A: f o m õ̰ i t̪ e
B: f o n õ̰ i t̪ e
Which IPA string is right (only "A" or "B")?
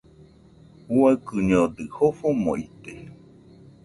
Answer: A